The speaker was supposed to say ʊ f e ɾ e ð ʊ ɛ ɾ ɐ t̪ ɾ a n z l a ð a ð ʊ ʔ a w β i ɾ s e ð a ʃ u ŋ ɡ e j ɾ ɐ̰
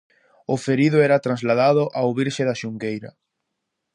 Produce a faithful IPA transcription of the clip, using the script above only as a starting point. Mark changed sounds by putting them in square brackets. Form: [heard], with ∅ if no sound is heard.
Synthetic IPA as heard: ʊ f e ɾ [i] ð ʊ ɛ ɾ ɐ t̪ ɾ a n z l a ð a ð ʊ ʔ a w β i ɾ [ʃ] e ð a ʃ u ŋ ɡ e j ɾ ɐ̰

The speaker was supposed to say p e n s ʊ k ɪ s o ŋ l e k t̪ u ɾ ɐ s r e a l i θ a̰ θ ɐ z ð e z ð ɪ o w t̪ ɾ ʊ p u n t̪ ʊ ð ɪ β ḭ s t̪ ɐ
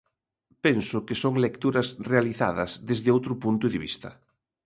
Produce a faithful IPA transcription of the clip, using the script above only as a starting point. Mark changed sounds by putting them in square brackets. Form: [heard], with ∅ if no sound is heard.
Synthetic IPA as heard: p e n s ʊ k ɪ s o ŋ l e k t̪ u ɾ ɐ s r e a l i θ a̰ [ð] ɐ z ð e z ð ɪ o w t̪ ɾ ʊ p u n t̪ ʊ ð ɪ β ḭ s t̪ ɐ

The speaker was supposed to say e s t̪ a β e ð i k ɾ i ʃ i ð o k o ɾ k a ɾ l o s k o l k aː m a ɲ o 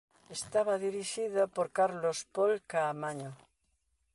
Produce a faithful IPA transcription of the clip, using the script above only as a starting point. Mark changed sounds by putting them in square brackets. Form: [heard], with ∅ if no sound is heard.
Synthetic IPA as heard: e s t̪ a β [a] ð i [∅] ɾ i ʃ i ð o [p] o ɾ k a ɾ l o s [p] o l k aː m a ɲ o

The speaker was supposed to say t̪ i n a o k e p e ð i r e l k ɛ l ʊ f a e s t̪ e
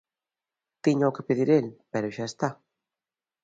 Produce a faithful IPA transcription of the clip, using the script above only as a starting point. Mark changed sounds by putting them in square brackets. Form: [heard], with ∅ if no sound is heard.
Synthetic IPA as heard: t̪ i [ɲ] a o k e p e ð i [ɾ] e l [p] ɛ [ɾ] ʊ [ʃ] a e s t̪ [a]

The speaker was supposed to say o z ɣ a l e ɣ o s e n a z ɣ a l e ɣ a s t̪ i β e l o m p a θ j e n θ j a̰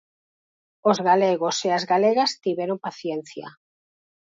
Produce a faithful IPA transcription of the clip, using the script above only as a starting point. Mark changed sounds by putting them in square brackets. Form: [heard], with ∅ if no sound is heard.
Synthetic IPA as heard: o z ɣ a l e ɣ o s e [∅] a z ɣ a l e ɣ a s t̪ i β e [ɾ] o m p a θ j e n θ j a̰

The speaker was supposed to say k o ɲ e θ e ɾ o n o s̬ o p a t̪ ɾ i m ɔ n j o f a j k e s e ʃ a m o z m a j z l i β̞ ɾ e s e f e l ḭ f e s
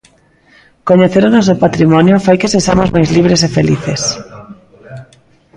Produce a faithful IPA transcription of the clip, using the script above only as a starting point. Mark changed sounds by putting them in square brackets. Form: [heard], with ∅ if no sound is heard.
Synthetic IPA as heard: k o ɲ e θ e ɾ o n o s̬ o p a t̪ ɾ i m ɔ n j o f a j k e s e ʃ a m o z m a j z l i β̞ ɾ e s e f e l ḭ [θ] e s

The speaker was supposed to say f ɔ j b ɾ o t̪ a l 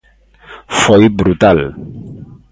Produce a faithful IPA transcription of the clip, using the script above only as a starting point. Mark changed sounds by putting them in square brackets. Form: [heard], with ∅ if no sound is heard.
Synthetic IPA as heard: f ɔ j b ɾ [u] t̪ a l

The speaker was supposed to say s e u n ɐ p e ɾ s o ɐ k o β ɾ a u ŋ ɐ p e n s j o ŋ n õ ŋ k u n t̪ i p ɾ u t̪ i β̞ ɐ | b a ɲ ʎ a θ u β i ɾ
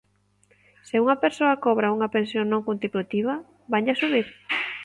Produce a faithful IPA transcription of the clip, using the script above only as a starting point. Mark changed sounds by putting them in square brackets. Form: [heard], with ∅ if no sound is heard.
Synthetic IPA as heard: s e u [ŋ] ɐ p e ɾ s o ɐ k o β ɾ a u ŋ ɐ p e n s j o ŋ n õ ŋ k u n t̪ i p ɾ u t̪ i β̞ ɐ | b a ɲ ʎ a [s] u β i ɾ

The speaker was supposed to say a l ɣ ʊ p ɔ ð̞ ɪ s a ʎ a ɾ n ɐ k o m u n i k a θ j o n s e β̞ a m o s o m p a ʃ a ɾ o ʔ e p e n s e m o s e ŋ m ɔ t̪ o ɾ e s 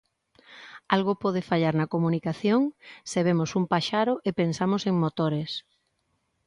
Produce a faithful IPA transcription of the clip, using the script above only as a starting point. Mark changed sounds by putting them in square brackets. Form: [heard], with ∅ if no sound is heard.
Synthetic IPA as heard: a l ɣ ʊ p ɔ ð̞ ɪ [f] a ʎ a ɾ n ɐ k o m u n i k a θ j o [ŋ] s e β̞ [e] m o s [u] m p a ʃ a ɾ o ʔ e p e n s [a] m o s e ŋ m [o] t̪ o ɾ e s

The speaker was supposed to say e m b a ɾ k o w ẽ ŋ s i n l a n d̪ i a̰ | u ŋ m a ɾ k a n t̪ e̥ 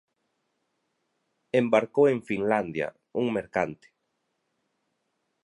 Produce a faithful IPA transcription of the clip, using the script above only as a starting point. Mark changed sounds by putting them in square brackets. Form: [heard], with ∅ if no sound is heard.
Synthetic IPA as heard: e m b a ɾ k o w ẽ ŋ [f] i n l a n d̪ [j] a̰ | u ŋ m [e] ɾ k a n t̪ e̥

